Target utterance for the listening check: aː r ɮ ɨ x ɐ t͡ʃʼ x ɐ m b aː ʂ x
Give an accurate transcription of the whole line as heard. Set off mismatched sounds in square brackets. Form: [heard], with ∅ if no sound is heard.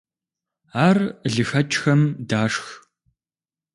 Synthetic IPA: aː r ɮ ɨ x ɐ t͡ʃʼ x ɐ m [d] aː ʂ x